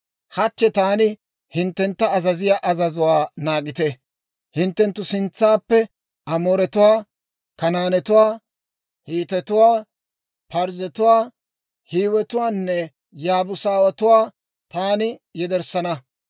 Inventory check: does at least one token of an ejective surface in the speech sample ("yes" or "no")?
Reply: no